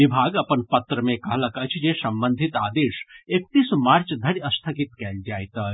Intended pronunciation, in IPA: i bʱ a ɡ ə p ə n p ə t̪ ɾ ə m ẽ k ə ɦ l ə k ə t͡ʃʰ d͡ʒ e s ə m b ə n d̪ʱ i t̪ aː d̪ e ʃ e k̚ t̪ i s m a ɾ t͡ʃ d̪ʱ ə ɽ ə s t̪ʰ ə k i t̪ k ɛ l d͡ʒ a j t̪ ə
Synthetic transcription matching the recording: i bʱ a ɡ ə p ə n p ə t̪ ɾ ə m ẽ k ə ɦ l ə k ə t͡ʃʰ d͡ʒ e s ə m b ə n d̪ʱ i t̪ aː d̪ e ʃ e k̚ t̪ i s m a ɾ t͡ʃ d̪ʱ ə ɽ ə s t̪ʰ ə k i t̪ k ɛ l d͡ʒ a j t̪ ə